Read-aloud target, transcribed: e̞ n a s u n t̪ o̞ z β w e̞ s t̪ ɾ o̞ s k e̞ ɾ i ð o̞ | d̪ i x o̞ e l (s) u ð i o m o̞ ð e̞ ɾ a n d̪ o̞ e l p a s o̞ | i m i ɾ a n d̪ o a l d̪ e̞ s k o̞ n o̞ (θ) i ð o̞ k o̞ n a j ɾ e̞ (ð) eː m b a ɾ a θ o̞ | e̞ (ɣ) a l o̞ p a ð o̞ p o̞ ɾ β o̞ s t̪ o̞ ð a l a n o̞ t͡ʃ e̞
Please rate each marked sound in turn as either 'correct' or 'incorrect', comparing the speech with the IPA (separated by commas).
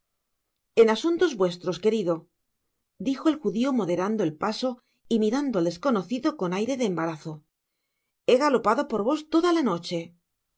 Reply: incorrect, correct, correct, correct